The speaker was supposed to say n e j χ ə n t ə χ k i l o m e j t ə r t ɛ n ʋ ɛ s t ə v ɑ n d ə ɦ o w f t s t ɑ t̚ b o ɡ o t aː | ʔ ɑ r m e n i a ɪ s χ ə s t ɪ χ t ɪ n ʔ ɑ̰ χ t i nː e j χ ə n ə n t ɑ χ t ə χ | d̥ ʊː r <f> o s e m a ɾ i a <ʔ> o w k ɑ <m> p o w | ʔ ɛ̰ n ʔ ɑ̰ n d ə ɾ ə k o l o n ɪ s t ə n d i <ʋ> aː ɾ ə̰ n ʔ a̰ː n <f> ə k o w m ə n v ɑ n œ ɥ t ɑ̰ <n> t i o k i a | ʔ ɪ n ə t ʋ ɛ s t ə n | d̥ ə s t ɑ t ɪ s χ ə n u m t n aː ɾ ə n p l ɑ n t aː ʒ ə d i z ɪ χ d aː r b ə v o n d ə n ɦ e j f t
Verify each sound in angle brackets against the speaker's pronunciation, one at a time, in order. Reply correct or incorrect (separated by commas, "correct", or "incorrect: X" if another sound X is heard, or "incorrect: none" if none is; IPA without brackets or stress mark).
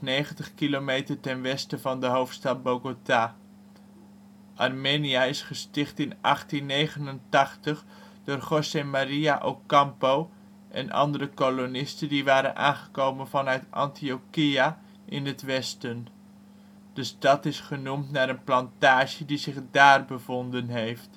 incorrect: χ, correct, correct, correct, incorrect: χ, correct